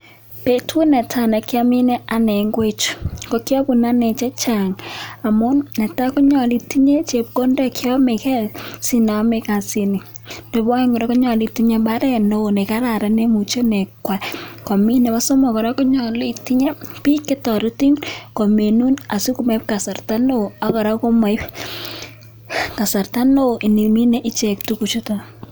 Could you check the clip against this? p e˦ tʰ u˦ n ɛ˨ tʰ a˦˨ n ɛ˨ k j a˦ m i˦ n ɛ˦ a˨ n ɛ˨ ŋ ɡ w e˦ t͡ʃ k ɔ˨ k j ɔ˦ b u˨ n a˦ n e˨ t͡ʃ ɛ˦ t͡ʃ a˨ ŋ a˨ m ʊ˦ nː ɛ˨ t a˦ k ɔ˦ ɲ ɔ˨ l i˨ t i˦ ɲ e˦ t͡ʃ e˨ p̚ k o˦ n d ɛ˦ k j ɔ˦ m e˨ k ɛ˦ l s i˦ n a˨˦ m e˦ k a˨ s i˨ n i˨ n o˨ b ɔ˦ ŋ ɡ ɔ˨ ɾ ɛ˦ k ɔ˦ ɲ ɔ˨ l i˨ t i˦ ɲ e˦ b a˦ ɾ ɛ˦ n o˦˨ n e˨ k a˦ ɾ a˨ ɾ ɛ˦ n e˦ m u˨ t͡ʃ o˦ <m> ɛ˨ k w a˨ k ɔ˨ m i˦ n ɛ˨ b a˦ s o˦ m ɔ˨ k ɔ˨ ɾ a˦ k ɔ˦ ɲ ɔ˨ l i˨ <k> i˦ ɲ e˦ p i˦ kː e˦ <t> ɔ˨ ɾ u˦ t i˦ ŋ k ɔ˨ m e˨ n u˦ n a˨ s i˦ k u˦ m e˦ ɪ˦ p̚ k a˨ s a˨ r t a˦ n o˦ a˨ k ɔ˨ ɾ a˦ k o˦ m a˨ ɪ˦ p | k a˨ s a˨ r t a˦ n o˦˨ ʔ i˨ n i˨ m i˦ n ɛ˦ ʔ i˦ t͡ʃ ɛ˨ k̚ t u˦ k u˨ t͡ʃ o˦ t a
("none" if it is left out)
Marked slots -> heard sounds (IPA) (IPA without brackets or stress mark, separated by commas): n, t, t